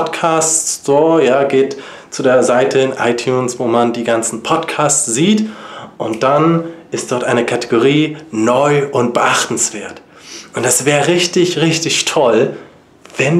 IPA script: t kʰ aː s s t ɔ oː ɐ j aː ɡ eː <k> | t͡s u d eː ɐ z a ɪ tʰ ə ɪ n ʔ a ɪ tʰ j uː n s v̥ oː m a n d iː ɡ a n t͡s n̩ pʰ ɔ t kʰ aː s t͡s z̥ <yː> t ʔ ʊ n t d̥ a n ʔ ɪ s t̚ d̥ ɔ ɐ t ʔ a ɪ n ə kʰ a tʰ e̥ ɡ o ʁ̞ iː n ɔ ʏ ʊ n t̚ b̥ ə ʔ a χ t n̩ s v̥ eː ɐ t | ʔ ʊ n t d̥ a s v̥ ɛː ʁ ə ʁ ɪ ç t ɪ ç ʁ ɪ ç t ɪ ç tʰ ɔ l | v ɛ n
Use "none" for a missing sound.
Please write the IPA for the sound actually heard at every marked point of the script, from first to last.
t, iː

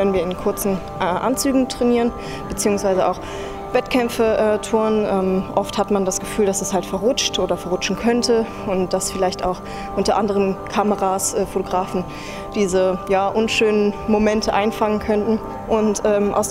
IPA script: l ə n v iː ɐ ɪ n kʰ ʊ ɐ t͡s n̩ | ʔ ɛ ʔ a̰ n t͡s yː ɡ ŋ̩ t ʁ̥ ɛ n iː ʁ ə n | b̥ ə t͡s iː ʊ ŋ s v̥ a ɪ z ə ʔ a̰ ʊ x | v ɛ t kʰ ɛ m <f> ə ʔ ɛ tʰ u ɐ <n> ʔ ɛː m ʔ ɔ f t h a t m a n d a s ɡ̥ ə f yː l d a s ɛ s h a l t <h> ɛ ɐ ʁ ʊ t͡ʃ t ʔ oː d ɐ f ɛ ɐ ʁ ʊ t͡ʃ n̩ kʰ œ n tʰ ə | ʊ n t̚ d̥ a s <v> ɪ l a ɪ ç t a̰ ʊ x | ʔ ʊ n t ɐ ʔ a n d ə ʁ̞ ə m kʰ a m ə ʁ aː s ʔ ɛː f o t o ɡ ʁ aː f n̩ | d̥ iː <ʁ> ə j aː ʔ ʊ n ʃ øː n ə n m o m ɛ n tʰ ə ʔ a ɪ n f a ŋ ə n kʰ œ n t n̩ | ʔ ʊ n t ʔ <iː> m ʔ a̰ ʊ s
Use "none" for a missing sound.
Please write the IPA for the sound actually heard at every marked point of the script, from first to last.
f, n, f, f, z, ɛː

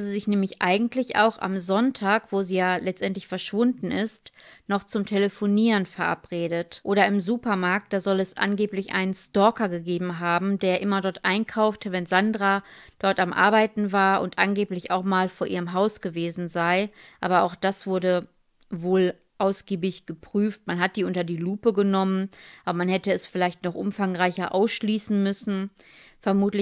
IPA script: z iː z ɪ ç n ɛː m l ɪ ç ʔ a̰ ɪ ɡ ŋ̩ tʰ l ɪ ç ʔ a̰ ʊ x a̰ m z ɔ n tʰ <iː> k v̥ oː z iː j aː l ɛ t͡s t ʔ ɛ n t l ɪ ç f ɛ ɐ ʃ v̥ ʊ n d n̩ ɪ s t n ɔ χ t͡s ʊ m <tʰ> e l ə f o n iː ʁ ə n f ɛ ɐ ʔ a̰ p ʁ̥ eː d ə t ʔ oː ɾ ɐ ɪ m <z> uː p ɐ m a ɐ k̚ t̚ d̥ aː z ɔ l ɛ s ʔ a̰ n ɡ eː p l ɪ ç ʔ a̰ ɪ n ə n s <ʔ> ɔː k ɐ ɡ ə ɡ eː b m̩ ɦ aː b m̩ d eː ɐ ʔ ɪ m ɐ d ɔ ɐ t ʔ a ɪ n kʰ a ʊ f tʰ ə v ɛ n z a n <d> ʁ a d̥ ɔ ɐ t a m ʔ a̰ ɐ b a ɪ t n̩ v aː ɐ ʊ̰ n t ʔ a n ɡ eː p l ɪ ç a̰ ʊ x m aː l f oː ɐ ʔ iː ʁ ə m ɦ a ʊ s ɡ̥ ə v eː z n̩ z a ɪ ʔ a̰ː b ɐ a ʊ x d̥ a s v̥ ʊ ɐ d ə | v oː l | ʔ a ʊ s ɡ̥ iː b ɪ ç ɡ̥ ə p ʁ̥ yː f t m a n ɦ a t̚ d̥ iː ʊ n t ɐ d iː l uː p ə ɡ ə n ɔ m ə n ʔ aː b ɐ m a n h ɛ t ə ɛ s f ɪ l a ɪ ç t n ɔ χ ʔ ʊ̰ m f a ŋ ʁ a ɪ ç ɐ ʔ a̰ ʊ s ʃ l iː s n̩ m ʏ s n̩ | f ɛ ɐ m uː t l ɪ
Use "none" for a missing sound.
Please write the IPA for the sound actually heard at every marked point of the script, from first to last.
aː, tʰ, z, t, d

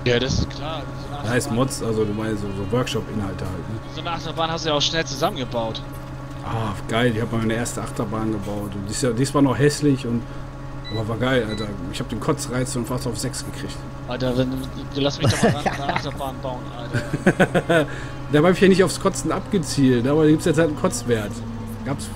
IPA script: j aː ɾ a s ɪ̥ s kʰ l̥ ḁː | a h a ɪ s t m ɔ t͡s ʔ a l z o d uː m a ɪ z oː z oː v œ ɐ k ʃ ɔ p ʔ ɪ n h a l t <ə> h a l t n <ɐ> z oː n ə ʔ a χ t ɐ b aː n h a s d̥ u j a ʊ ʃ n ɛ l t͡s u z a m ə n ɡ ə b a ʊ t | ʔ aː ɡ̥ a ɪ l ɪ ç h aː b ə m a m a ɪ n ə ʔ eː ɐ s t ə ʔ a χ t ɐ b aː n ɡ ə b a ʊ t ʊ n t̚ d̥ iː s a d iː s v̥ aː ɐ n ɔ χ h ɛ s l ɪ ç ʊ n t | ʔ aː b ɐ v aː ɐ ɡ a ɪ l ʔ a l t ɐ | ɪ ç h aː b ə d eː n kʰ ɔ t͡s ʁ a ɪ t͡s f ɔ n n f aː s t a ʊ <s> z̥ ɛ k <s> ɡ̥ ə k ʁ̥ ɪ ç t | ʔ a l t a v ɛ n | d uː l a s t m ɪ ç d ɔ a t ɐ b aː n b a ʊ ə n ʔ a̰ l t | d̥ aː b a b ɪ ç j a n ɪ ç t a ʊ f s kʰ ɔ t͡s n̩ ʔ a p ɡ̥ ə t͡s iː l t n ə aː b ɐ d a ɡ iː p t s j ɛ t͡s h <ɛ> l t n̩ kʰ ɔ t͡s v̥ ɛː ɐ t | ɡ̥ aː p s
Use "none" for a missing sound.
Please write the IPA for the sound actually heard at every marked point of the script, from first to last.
ə, ə, f, s, a

